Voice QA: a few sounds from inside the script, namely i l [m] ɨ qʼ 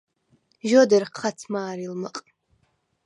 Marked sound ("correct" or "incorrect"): correct